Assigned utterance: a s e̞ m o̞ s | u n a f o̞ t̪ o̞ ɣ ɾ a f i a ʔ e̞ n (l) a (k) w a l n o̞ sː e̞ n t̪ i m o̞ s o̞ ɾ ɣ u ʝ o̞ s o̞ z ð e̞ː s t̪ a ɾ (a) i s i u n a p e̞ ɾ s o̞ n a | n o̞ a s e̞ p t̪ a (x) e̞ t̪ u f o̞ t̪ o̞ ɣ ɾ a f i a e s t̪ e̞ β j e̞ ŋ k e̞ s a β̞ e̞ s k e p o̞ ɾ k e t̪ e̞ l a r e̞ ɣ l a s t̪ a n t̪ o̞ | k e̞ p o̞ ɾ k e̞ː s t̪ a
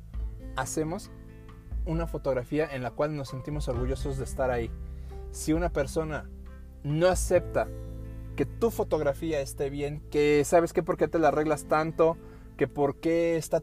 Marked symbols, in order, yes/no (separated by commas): yes, yes, yes, no